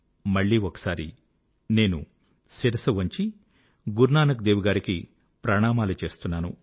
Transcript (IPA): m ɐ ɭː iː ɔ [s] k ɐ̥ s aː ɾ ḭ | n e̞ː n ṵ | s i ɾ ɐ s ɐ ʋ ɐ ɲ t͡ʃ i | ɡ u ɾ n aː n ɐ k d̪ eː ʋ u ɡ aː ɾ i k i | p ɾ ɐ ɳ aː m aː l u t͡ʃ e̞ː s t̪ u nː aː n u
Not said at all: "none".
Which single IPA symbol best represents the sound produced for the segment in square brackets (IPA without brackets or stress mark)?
none